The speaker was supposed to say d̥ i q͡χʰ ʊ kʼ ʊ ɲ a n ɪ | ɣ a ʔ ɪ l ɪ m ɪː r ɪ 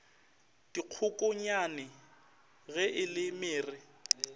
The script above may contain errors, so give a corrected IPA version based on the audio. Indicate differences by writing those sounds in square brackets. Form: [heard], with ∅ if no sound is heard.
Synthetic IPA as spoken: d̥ i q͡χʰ ʊ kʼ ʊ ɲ a n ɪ | ɣ [ɛ] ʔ ɪ l ɪ m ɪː r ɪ